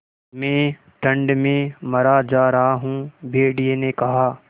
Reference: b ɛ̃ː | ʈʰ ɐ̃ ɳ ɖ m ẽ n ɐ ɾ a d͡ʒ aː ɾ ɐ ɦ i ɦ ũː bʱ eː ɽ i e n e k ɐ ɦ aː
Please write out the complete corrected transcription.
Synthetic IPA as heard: m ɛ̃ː | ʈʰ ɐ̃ ɳ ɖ m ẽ m ɐ ɾ a d͡ʒ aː ɾ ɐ ɦ a ɦ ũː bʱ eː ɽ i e n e k ɐ ɦ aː